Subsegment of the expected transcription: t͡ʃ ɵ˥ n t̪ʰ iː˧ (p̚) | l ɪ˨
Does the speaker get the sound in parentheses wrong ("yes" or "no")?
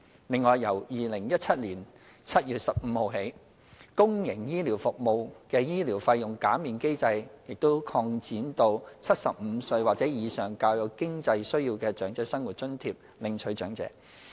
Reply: no